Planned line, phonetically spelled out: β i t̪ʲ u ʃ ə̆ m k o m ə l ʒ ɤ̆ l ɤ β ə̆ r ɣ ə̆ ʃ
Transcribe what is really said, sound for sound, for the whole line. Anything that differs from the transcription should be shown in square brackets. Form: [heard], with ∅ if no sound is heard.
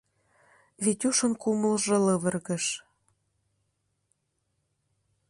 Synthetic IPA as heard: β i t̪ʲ u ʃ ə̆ [n] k [u] m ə l ʒ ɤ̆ l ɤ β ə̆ r ɣ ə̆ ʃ

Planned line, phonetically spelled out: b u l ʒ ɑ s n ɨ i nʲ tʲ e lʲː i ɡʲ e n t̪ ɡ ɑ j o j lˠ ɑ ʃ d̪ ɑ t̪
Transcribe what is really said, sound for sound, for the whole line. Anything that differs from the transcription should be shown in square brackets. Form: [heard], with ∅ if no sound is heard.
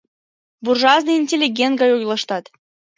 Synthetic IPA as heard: b u [r] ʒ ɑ [z] n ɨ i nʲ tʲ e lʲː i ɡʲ e n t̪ ɡ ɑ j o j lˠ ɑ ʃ [t̪] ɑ t̪

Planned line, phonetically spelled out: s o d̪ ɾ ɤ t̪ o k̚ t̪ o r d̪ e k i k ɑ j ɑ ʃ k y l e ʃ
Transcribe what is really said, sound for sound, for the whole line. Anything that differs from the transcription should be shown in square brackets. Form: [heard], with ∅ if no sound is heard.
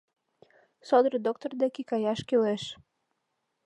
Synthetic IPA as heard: s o d̪ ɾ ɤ [d̪] o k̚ t̪ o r d̪ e k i k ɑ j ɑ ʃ k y l e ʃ

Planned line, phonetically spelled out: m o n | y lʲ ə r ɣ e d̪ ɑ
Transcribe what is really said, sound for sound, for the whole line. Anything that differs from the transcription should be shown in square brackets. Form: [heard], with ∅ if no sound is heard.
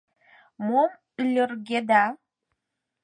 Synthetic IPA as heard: m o [m] | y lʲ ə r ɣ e d̪ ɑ

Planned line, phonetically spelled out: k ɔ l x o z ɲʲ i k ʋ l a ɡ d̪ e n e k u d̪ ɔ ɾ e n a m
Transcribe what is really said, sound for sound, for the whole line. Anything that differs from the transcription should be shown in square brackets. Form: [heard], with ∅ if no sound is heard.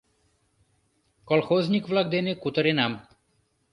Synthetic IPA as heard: k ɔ l x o z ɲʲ i k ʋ l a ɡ d̪ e n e k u [t̪] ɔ ɾ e n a m

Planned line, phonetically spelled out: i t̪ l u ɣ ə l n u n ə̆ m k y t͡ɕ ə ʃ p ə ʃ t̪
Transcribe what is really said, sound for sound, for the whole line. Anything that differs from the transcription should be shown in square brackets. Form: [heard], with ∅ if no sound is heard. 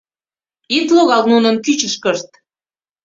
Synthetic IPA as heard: i t̪ l [o] ɣ [ɑ] l n u n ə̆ [n] k y t͡ɕ ə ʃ [k] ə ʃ t̪

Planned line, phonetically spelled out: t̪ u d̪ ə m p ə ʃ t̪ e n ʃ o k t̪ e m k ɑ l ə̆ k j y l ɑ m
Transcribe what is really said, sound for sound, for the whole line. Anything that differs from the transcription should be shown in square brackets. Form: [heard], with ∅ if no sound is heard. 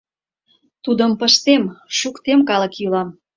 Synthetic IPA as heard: t̪ u d̪ ə m p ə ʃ t̪ e [m] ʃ [u] k t̪ e m k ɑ l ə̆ k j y l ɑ m

